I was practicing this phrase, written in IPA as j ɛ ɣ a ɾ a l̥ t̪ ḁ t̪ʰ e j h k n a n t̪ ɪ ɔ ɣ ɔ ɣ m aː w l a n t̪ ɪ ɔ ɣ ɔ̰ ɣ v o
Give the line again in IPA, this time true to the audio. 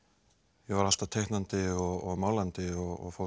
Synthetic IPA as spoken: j ɛ v a ɾ a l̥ t̪ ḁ t̪ʰ e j h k n a n t̪ ɪ ɔ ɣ ɔ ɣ m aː w l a n t̪ ɪ ɔ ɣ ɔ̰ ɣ f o